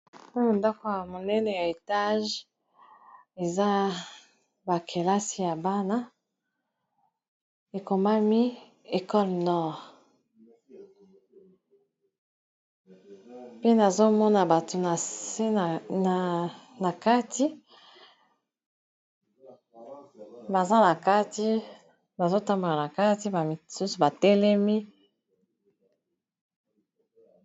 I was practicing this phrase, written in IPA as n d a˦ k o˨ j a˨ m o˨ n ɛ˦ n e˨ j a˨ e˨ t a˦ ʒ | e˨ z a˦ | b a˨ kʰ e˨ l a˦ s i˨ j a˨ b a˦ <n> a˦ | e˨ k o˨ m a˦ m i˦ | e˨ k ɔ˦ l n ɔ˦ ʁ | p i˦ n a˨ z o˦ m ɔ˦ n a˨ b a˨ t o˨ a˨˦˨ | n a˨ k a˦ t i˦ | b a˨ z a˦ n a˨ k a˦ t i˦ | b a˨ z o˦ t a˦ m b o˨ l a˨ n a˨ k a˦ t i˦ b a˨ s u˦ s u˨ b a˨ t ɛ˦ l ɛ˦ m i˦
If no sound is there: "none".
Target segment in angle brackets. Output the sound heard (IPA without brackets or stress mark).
n